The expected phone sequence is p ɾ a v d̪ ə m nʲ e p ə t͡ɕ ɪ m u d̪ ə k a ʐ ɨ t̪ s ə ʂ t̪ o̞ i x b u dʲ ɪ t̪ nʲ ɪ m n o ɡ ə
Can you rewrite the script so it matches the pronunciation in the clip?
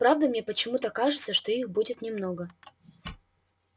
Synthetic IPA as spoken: p ɾ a v d̪ ə m nʲ e p ə t͡ɕ ɪ m u t̪ ə k a ʐ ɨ t̪ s ə ʂ t̪ o̞ i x b u dʲ ɪ t̪ nʲ ɪ m n o ɡ ə